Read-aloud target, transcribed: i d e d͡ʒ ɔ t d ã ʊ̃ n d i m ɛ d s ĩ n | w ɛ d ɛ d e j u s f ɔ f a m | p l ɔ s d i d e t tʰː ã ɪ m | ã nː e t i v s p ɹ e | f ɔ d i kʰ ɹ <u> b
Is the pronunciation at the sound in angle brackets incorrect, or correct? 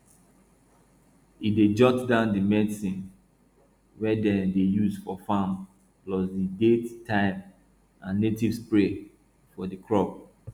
incorrect